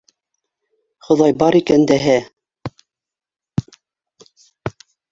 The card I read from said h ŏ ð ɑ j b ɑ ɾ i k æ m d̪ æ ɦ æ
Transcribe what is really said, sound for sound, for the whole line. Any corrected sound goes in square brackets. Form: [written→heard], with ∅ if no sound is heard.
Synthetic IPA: [h→χ] ŏ ð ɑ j b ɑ ɾ i k æ [m→n] d̪ æ ɦ æ